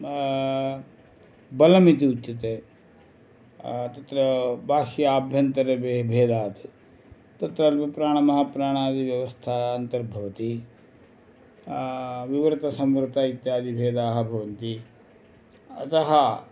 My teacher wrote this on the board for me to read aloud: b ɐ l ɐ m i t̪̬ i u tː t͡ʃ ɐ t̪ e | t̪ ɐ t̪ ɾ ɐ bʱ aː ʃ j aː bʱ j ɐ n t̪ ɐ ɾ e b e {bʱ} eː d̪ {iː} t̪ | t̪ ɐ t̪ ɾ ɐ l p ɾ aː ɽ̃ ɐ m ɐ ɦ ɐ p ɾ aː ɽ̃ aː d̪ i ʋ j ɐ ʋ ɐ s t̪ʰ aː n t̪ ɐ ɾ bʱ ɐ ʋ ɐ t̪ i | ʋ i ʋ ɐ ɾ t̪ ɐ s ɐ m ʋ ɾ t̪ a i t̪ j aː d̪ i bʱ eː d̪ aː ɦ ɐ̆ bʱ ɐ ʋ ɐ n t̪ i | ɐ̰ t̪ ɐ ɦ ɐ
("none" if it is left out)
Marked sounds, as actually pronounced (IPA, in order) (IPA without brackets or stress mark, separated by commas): bʱ, aː